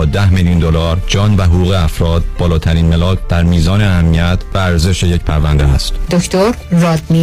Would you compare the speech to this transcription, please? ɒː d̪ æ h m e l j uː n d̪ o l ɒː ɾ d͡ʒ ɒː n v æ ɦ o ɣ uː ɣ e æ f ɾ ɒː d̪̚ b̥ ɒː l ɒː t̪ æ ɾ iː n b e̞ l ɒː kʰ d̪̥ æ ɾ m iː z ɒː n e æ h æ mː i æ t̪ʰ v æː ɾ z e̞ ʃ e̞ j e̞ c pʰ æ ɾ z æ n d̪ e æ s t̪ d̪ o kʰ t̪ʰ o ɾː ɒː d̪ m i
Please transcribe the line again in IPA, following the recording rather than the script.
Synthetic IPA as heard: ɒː d̪ æ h m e l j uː n d̪ o l ɒː ɾ d͡ʒ ɒː n v æ ɦ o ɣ uː ɣ e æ f ɾ ɒː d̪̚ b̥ ɒː l ɒː t̪ʰ æ ɾ iː n m e̞ l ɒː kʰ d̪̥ æ ɾ m iː z ɒː n e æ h æ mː i æ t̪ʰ v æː ɾ z e̞ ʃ e̞ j e̞ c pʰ æ ɾ v æ n d̪ e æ s t̪ d̪ o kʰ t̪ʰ o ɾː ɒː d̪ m i